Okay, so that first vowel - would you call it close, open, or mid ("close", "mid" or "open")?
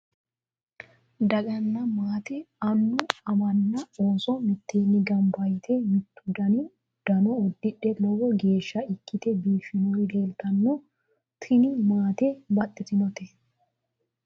open